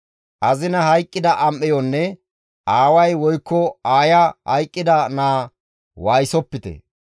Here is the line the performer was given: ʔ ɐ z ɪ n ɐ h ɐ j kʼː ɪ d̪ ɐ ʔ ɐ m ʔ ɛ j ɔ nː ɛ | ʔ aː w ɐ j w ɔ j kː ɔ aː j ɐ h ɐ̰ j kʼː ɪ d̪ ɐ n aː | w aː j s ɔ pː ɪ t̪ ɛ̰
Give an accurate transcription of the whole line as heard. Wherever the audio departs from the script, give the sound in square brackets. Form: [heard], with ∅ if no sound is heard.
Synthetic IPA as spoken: ʔ ɐ z ɪ n ɐ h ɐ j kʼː ɪ d̪ ɐ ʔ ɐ m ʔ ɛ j ɔ nː ɛ | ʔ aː w ɐ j w ɔ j kː ɔ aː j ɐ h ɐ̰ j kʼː ɪ d̪ ɐ n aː | w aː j s ɔ pː ɪ t̪ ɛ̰